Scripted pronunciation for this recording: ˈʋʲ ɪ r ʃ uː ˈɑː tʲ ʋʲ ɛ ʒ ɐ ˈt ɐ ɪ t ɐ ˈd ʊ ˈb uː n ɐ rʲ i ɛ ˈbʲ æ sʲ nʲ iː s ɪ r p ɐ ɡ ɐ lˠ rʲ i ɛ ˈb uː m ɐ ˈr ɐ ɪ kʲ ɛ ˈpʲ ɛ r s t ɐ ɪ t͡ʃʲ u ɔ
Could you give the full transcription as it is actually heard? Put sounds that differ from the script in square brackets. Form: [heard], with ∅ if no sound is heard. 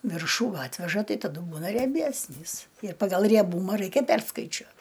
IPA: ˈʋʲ ɪ r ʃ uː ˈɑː tʲ ʋʲ ɛ ʒ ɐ ˈt ɐ ɪ t ɐ ˈd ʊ ˈb uː n ɐ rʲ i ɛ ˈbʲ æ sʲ nʲ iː s ɪ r p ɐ ɡ ɐ lˠ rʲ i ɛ ˈb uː m ɐ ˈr ɐ ɪ kʲ ɛ ˈpʲ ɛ r s [k] ɐ ɪ t͡ʃʲ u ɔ